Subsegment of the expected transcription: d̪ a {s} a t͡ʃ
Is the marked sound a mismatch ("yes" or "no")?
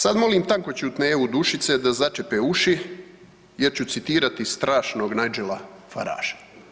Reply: yes